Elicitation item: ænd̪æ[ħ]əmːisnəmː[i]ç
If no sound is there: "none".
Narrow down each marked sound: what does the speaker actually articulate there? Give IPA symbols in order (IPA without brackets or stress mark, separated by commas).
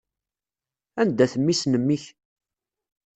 θ, i